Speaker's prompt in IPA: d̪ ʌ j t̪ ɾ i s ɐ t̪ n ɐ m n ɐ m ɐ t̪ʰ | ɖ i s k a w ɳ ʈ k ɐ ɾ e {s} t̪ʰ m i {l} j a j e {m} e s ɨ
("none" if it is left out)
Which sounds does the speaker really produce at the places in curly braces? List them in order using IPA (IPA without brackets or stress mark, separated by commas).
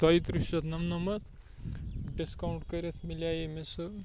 none, l, m